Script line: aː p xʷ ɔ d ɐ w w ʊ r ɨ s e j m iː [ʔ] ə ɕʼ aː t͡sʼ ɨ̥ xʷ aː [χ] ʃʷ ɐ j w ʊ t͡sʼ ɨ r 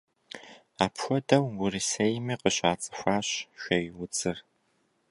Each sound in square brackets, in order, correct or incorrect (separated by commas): incorrect, incorrect